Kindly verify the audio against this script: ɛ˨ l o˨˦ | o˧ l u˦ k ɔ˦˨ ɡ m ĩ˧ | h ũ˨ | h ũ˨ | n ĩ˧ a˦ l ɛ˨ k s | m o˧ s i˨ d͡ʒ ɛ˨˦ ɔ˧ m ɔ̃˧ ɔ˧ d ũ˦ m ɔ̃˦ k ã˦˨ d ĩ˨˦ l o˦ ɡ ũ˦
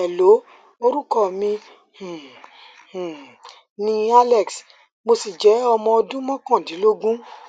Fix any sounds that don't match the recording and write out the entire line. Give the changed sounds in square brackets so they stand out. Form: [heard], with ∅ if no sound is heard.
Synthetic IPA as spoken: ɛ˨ l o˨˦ | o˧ [ɾ] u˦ k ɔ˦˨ [∅] m ĩ˧ | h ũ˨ | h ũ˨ | n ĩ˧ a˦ l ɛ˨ k s | m o˧ s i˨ d͡ʒ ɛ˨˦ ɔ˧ m ɔ̃˧ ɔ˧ d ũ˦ m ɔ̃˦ k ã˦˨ d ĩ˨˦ l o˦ ɡ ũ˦